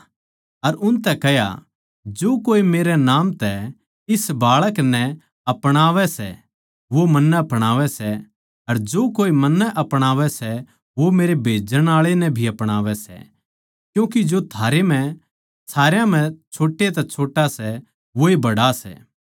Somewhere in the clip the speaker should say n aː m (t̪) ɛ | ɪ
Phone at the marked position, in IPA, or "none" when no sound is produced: t̪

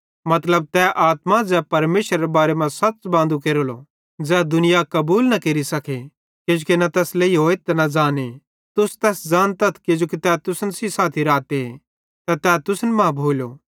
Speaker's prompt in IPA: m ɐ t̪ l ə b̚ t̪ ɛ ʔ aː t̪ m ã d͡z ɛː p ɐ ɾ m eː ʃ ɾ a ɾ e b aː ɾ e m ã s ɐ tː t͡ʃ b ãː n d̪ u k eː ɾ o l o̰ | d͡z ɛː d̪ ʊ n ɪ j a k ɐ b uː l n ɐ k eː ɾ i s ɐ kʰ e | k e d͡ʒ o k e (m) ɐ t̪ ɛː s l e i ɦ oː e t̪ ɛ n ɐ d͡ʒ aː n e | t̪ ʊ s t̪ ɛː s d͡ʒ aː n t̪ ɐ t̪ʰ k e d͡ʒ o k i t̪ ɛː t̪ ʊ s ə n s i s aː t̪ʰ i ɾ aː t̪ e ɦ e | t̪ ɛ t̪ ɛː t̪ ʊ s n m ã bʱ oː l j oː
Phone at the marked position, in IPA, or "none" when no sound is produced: n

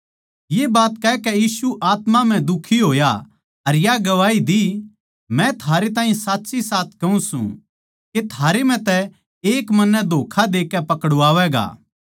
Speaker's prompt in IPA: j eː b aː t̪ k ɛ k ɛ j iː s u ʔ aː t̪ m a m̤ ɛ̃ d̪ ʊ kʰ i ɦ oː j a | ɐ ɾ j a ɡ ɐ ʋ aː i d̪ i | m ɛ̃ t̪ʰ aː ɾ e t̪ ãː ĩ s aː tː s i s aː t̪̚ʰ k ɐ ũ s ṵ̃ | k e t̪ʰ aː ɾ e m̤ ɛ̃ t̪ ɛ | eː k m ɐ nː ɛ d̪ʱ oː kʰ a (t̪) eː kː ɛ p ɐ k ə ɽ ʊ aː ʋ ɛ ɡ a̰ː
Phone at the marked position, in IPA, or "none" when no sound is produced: d̪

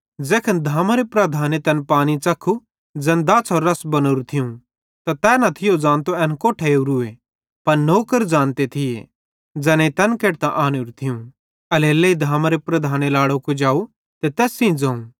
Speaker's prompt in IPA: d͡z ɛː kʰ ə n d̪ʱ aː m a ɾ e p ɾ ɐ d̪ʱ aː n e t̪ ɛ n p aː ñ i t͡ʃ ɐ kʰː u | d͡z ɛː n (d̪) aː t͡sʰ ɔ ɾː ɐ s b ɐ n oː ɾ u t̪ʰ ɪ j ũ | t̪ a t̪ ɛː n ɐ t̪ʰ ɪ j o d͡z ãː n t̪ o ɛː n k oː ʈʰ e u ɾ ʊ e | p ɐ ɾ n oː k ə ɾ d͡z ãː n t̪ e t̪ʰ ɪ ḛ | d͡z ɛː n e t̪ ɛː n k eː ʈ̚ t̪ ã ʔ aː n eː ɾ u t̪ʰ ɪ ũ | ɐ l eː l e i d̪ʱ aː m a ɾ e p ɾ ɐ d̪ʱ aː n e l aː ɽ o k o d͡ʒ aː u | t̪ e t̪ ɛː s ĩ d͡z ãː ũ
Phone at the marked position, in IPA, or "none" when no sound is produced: d̪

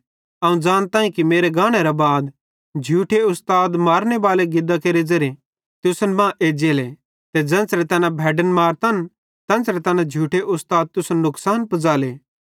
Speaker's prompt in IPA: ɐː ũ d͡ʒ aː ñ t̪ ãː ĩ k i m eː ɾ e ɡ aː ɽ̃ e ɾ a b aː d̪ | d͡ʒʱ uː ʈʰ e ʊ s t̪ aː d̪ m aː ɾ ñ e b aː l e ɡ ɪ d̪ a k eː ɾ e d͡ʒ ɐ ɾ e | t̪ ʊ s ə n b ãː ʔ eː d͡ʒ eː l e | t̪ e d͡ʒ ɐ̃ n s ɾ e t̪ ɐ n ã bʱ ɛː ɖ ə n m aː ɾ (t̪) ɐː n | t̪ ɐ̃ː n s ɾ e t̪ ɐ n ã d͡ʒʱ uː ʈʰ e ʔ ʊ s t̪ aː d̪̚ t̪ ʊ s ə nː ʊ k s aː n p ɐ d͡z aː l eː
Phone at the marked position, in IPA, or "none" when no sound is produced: t̪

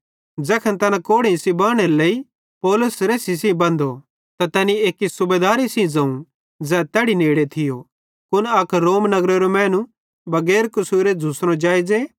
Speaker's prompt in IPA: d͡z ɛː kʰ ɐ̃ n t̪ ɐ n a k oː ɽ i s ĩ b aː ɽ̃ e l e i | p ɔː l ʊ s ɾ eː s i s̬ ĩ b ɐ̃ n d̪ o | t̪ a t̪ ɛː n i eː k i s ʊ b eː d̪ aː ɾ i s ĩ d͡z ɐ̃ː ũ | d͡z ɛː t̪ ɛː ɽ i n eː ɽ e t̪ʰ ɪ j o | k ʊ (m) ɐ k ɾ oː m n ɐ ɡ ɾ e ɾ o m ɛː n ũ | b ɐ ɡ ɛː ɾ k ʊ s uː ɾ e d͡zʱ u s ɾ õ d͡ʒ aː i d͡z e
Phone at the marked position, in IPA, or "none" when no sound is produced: n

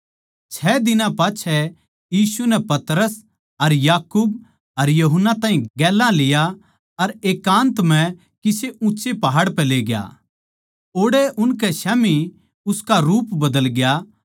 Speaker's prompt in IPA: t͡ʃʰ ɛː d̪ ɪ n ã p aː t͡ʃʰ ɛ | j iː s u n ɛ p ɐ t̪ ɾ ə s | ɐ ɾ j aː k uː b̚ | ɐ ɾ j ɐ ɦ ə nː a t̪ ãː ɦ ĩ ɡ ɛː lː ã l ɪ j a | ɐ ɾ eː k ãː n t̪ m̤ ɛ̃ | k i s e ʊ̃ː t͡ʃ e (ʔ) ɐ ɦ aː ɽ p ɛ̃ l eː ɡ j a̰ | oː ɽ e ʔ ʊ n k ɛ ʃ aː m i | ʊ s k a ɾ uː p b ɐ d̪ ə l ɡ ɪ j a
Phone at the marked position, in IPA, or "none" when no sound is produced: p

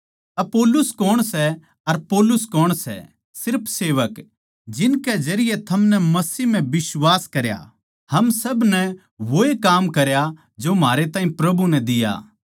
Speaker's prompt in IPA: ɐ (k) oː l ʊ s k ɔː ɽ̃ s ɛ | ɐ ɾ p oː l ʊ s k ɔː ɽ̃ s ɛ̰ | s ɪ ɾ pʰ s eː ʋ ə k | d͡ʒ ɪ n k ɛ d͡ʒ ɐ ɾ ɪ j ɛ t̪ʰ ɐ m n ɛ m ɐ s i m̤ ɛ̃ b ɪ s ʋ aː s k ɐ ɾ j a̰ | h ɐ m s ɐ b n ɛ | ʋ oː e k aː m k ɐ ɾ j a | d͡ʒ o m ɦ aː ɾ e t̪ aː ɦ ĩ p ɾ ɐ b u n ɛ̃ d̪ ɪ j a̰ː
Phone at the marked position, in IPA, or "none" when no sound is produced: p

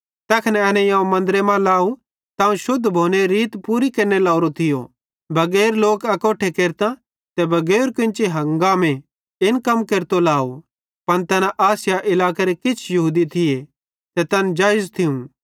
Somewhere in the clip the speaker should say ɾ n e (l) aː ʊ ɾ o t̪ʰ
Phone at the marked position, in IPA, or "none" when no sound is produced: l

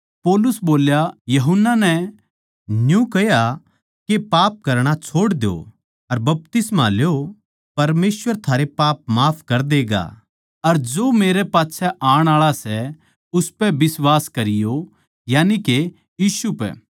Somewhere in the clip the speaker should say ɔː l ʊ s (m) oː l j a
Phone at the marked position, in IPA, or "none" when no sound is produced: b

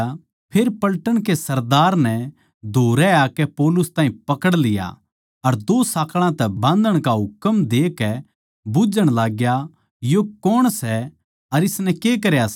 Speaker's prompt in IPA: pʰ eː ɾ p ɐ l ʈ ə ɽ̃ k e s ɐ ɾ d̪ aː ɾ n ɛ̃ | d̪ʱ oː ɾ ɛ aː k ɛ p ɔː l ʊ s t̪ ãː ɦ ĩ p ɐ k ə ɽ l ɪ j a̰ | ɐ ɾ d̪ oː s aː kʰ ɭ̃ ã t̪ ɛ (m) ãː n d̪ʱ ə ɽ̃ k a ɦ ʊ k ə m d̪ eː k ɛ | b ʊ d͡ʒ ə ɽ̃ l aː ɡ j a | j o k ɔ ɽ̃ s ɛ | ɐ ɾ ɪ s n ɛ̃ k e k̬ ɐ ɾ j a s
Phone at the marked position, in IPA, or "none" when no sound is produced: b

